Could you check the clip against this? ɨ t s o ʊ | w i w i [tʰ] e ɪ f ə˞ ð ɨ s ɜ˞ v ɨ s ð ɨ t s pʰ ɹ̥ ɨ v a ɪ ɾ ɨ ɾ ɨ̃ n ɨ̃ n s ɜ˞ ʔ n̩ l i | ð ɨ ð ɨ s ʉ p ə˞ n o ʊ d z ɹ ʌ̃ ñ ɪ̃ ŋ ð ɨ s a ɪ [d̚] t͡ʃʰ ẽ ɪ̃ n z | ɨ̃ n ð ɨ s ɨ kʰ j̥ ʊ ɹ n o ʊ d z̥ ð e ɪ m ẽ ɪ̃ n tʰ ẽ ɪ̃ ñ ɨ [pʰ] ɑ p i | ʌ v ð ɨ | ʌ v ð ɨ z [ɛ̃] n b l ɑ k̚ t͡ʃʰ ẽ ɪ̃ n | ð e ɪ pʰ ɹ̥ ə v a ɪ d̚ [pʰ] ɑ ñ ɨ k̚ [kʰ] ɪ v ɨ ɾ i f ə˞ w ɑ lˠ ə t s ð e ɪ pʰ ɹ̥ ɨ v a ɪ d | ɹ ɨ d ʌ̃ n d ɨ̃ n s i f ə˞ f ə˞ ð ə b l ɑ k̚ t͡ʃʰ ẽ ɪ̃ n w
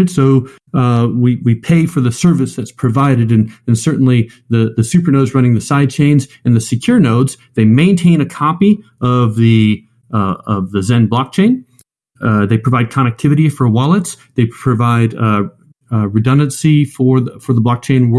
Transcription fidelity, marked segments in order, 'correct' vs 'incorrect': incorrect: pʰ, correct, incorrect: kʰ, correct, incorrect: kʰ, incorrect: tʰ

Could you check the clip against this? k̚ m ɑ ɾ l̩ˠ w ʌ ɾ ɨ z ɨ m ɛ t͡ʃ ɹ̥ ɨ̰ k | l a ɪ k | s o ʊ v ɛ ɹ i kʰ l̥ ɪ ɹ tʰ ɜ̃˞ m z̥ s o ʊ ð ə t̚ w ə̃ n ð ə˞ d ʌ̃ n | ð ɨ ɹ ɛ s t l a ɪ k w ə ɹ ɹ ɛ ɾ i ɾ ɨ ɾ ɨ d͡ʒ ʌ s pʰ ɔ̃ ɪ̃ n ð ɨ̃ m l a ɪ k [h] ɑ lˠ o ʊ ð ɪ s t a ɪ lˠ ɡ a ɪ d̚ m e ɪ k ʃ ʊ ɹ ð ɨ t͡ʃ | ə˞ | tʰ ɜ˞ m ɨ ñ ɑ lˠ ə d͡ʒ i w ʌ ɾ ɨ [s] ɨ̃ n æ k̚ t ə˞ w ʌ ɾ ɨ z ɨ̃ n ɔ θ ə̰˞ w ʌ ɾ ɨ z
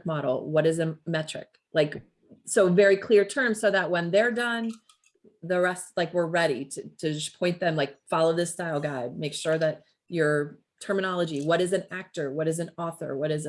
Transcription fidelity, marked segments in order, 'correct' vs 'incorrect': incorrect: f, incorrect: z

